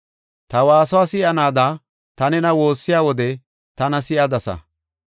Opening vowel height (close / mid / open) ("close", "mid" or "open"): open